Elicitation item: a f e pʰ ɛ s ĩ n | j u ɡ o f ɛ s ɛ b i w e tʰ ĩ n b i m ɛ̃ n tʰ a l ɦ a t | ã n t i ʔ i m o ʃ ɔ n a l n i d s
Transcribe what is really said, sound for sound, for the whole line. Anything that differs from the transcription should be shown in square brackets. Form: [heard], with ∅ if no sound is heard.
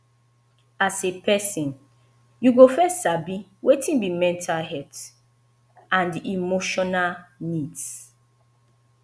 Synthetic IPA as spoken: a [s] e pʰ ɛ s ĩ n | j u ɡ o f ɛ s [a] b i w e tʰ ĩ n b i m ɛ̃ n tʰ a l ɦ [ɛ] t | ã n [d] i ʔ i m o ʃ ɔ n a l n i d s

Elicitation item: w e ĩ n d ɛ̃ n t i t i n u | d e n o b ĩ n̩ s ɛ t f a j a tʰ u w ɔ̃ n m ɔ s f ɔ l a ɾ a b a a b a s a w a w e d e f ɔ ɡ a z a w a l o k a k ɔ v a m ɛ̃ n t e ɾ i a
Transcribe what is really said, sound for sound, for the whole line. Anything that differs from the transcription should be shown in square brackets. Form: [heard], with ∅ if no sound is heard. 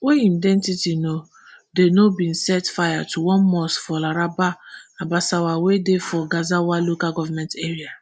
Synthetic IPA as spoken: w e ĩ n d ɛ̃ n t i t i n [o] | d e n o b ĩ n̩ s ɛ t f a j a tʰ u w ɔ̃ n m ɔ s f ɔ l a ɾ a b a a b a s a w a w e d e f ɔ ɡ a z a w a l o k a [ɡ] ɔ v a m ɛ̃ n t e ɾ i a

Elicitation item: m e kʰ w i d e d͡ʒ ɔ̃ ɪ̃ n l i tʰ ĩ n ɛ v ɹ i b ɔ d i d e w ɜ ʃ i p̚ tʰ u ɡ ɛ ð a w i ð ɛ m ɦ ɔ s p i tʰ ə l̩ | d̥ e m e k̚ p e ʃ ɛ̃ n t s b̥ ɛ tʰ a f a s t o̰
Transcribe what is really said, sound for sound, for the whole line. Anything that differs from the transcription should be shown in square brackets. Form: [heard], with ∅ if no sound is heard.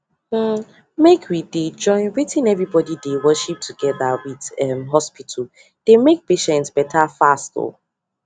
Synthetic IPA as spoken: m e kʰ w i d e d͡ʒ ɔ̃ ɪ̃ n [ɹ] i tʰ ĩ n ɛ v ɹ i b ɔ d i d e w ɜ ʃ i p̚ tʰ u ɡ ɛ ð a w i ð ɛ m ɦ ɔ s p i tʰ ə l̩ | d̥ e m e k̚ p e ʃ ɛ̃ n t s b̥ ɛ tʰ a f a s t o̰

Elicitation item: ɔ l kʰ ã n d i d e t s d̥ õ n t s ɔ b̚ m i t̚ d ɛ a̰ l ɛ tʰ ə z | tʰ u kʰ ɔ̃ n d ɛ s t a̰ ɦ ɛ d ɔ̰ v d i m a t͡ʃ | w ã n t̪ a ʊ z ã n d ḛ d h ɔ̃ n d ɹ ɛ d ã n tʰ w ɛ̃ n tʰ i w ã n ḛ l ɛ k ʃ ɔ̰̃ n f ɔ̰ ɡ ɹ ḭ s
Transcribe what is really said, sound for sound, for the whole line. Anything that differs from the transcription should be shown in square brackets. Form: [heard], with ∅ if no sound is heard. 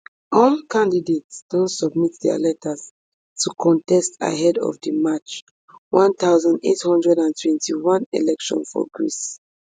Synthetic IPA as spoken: ɔ l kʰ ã n d i d e t s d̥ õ n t s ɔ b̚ m i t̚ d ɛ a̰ l ɛ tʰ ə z | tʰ u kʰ ɔ̃ n [t] ɛ s t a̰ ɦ ɛ d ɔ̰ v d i m a t͡ʃ | w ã n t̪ a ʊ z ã n d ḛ [t] h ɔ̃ n d ɹ ɛ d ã n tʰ w ɛ̃ n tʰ i w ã n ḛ l ɛ k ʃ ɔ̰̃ n f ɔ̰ ɡ ɹ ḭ s

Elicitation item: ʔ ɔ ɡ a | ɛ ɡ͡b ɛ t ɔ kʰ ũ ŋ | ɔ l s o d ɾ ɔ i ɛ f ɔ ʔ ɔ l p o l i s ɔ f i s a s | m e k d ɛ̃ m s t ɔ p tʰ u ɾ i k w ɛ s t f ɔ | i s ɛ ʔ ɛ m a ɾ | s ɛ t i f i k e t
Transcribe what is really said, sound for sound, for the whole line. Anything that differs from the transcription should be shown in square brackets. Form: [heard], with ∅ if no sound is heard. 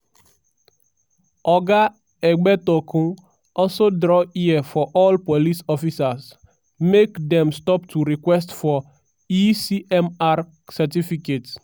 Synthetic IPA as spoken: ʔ ɔ ɡ a | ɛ ɡ͡b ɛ t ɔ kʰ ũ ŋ | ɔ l s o d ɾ ɔ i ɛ f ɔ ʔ ɔ l p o l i s ɔ f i s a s | m e k d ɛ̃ m s t ɔ p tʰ u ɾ i k w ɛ s t f ɔ | i s [i] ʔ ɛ m a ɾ | s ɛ t i f i k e t

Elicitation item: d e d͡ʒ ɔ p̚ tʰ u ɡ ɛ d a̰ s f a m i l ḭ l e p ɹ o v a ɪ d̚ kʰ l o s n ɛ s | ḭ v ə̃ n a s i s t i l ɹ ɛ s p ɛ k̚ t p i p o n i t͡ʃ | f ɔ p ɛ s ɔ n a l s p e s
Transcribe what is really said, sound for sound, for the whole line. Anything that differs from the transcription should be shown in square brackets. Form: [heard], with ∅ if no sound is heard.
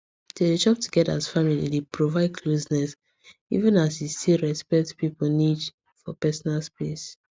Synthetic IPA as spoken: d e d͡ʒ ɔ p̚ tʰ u ɡ ɛ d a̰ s f a m i l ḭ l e p ɹ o v a ɪ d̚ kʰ l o s n ɛ s | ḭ v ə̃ n a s i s t i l ɹ ɛ s p ɛ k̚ t p i p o n i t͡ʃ | f ɔ p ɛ s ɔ n a l s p e s

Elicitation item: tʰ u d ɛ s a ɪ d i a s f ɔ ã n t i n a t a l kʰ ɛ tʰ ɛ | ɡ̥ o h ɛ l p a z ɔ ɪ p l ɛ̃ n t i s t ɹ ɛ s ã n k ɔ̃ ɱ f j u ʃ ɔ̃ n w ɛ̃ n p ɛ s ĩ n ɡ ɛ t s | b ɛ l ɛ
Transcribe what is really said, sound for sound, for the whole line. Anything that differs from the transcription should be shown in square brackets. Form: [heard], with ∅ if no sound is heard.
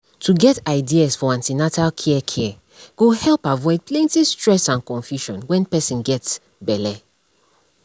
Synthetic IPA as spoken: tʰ u [ɡ] ɛ [t] a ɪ d i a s f ɔ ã n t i n a t a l kʰ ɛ [kʰ] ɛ | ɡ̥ o h ɛ l p a [v] ɔ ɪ p l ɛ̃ n t i s t ɹ ɛ s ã n k ɔ̃ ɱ f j u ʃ ɔ̃ n w ɛ̃ n p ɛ s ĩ n ɡ ɛ t s | b ɛ l ɛ

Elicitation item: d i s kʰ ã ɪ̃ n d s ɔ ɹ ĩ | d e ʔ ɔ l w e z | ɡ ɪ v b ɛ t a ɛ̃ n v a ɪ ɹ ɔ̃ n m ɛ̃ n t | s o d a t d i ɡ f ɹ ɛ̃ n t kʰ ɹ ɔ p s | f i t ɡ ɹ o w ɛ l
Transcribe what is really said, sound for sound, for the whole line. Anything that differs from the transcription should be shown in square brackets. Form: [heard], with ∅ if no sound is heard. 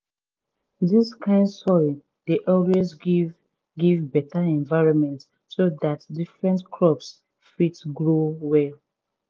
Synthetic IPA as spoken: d i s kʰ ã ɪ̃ n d s ɔ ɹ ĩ | d e ʔ ɔ l w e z | ɡ [i] v b ɛ t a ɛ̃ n v a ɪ ɹ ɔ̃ n m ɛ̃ n t | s o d a t d i [∅] f ɹ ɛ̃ n t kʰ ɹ ɔ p s | f i t ɡ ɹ o w ɛ l

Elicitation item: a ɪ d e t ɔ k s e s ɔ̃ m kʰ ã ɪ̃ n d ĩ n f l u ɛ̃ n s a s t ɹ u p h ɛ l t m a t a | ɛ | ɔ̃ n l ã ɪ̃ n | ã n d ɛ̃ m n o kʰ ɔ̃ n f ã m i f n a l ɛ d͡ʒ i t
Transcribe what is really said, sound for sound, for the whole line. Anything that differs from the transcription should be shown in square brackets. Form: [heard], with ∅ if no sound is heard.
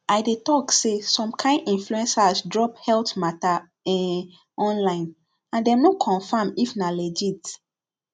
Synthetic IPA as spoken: a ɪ d e t ɔ k s e s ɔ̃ m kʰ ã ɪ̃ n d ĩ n f l u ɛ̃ n s a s [d] ɹ [ɔ] p h ɛ l t m a t a | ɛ | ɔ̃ n l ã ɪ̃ n | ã n d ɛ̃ m n o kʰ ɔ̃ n f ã m i f n a l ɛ d͡ʒ i t

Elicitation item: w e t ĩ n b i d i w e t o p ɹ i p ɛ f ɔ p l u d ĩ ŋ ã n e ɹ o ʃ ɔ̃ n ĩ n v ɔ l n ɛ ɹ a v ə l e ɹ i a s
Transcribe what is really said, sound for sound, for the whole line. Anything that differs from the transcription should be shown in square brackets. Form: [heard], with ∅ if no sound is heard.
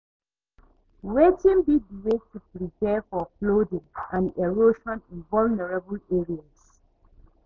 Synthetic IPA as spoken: w e t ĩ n b i d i w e t [u] p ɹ i p ɛ f ɔ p l [o] d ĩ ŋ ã n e ɹ o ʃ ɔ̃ n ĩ n v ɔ l n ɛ ɹ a [b] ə l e ɹ i a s

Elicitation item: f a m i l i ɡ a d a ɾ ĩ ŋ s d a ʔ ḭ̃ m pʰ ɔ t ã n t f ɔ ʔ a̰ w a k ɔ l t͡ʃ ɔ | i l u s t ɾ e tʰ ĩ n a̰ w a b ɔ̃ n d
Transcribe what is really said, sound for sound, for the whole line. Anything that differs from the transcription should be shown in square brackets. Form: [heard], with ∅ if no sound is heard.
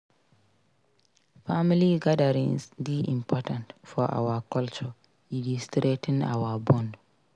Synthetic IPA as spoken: f a m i l i ɡ a d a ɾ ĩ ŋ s d [i] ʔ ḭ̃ m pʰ ɔ t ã n t f ɔ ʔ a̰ w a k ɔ l t͡ʃ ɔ | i l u s t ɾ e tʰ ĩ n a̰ w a b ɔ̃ n d

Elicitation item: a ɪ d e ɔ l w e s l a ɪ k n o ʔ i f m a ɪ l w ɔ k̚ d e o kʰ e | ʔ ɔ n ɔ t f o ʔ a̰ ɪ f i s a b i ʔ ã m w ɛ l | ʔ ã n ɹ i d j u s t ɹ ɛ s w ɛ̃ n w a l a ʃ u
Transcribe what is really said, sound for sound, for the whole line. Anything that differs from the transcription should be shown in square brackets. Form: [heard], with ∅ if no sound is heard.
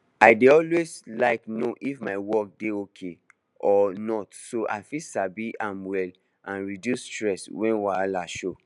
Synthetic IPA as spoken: a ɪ d e ɔ l w e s l a ɪ k n o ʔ i f m a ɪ [∅] w ɔ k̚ d e o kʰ e | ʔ ɔ n ɔ t [s] o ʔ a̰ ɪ f i s a b i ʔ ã m w ɛ l | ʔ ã n ɹ i d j u s t ɹ ɛ s w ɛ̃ n w a l a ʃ [o]

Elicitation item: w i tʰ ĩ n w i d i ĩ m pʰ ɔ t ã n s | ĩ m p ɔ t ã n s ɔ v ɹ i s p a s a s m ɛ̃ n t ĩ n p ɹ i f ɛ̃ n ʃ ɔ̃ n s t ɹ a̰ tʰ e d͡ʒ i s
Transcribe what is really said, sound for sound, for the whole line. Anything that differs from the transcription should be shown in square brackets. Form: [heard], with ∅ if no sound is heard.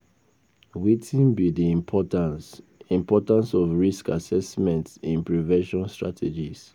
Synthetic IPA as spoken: w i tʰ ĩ n [b] i d i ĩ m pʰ ɔ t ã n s | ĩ m p ɔ t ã n s ɔ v ɹ i s [k] a s [ɛ] s m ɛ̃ n t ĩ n p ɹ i [v] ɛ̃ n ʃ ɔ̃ n s t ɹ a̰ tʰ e d͡ʒ i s

